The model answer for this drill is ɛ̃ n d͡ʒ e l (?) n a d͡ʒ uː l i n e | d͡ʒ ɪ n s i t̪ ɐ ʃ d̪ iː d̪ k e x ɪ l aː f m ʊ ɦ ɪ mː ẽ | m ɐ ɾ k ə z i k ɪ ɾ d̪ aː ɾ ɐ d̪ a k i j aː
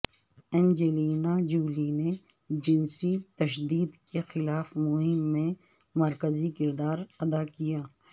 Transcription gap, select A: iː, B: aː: A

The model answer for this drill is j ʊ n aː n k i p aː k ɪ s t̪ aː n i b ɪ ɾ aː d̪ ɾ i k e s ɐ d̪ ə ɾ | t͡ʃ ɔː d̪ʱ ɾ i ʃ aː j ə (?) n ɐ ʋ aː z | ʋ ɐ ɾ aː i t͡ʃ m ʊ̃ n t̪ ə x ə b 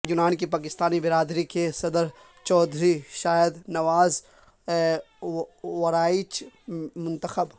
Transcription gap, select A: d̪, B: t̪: A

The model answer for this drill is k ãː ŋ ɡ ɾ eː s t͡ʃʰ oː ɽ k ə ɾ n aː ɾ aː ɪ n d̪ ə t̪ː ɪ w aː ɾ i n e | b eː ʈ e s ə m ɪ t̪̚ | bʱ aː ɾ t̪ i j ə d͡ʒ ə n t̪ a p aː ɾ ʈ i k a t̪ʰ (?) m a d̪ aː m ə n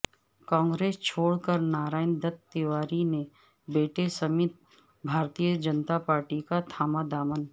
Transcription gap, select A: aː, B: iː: A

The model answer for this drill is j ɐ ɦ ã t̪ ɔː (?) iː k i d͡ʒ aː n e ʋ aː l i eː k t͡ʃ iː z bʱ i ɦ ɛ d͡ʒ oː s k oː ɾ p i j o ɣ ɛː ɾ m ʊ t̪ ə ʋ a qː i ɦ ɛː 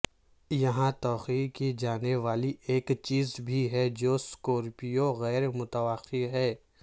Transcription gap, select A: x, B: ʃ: A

